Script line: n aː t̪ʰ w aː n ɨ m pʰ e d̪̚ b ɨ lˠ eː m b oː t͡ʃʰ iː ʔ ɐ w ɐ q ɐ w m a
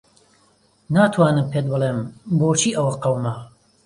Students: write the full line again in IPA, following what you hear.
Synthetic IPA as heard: n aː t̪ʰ w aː n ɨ m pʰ e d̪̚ b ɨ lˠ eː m b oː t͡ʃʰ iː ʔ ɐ w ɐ q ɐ w m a